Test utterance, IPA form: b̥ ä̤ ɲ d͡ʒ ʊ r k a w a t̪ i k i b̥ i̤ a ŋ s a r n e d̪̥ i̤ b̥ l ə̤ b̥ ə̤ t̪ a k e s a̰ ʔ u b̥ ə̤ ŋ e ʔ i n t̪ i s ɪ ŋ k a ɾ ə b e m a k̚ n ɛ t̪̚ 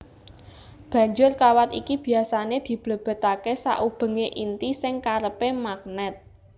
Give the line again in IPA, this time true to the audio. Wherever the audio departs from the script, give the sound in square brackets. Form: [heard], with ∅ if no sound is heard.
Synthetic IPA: b̥ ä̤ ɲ d͡ʒ ʊ r k a w a t̪ i k i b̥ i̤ a [∅] s a [∅] n e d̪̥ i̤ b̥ l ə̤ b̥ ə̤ t̪ a k e s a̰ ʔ u b̥ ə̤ ŋ e ʔ i n t̪ i s ɪ ŋ k a ɾ ə [p] e m a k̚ n ɛ t̪̚